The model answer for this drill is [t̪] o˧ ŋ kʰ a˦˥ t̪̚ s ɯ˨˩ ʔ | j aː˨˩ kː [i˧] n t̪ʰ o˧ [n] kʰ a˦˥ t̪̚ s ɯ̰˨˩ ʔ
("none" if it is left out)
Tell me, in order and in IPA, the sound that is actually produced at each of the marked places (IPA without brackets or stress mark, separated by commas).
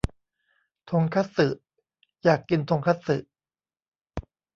t̪ʰ, i˧, ŋ